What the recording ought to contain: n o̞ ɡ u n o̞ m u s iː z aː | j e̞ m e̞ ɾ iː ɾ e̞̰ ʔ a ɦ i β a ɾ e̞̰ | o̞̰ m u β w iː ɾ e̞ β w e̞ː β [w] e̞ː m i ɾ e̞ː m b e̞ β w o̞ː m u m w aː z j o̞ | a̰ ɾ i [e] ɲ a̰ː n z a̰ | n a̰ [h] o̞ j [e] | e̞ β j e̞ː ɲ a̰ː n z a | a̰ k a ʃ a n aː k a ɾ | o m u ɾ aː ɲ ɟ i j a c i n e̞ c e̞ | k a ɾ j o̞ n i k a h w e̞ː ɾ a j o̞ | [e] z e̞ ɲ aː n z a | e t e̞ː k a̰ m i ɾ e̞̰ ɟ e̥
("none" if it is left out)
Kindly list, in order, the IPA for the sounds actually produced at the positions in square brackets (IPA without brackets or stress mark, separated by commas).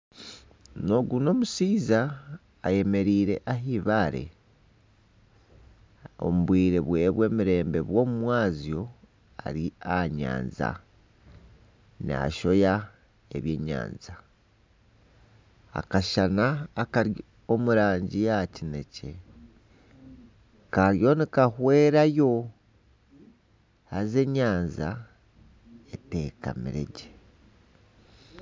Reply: w, a, ʃ, a, a